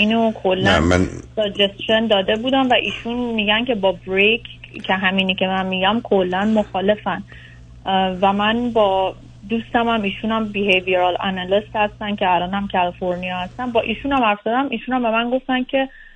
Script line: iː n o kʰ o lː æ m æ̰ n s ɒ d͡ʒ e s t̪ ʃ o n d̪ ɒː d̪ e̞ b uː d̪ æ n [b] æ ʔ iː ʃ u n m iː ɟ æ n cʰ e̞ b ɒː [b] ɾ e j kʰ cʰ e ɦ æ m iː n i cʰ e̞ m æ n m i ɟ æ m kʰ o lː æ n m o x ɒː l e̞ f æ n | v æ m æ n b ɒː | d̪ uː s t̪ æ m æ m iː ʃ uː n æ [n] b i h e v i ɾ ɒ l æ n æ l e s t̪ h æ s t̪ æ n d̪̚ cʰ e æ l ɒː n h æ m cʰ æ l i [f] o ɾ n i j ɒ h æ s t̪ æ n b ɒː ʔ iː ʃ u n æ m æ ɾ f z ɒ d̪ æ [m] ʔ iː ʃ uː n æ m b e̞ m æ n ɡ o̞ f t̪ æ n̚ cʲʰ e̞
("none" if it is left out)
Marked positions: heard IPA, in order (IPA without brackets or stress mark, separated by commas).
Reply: v, b, m, f, m